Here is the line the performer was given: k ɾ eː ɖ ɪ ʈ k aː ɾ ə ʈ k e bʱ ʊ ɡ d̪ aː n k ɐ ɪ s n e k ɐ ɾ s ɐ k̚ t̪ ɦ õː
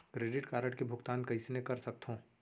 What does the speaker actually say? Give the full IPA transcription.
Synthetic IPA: k ɾ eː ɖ ɪ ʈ k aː ɾ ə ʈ k e bʱ ʊ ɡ t̪ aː n k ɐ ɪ s n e k ɐ ɾ s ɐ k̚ t̪ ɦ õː